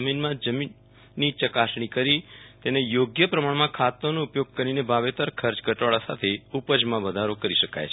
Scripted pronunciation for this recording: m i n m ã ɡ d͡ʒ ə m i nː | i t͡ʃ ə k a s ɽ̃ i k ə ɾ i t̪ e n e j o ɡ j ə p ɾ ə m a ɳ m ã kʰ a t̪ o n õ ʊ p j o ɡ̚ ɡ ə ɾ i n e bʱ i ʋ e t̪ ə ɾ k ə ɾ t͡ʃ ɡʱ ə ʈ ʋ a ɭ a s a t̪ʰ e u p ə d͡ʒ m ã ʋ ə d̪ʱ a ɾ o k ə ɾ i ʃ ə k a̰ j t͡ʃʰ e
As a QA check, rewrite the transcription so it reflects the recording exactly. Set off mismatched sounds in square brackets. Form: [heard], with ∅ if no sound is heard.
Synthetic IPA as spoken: m i n m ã [∅] d͡ʒ ə m i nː | i t͡ʃ ə k a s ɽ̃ i k ə ɾ i t̪ e n e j o ɡ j ə p ɾ ə m a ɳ m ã kʰ a t̪ o n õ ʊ p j o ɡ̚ [k] ə ɾ i n e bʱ [a] ʋ e t̪ ə ɾ [kʰ] ə ɾ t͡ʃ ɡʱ ə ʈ ʋ a ɭ a s a t̪ʰ e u p ə d͡ʒ m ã ʋ ə d̪ʱ a ɾ o k ə ɾ i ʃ ə k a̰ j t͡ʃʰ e